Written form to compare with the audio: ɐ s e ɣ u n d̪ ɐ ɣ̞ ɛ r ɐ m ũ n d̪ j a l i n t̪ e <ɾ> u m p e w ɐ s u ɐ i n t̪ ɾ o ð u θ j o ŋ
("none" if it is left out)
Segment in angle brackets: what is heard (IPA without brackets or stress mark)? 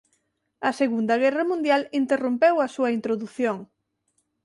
r